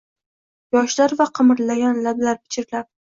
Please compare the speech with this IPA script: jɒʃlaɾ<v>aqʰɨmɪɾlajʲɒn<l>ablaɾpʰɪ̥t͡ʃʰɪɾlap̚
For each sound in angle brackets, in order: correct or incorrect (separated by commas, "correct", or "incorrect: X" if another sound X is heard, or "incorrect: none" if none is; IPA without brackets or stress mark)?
correct, correct